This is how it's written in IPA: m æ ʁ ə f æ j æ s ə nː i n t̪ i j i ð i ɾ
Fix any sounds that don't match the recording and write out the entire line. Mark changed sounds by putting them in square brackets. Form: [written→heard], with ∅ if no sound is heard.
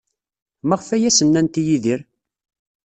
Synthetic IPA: m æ ʁ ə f æ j æ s ə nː [i→æ] n t̪ i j i ð i ɾ